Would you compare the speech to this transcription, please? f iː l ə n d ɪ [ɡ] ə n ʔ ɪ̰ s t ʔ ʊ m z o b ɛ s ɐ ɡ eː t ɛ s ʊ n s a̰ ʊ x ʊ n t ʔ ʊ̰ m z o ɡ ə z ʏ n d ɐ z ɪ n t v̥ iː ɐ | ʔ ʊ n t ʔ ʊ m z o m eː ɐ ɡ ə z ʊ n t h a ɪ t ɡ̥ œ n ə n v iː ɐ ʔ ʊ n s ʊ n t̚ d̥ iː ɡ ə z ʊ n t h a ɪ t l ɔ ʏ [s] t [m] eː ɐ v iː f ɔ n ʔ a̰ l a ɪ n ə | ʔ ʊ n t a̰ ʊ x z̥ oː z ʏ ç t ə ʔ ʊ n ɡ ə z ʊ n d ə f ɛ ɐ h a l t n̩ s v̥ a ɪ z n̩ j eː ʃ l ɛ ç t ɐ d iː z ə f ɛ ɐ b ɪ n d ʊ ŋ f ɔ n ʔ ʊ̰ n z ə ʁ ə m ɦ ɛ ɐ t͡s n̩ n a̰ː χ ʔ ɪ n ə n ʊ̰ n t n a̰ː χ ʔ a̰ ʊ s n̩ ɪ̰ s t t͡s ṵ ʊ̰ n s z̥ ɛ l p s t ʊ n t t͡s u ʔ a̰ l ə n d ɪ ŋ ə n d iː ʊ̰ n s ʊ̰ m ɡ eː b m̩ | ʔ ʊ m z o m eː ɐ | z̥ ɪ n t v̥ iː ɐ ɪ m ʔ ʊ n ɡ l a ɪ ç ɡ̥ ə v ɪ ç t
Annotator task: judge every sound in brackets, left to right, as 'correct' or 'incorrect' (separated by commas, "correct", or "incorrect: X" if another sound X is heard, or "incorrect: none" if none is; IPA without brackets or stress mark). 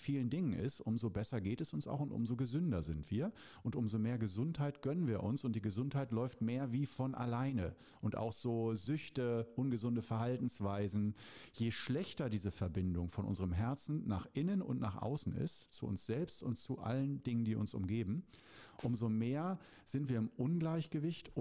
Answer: incorrect: ŋ, incorrect: f, correct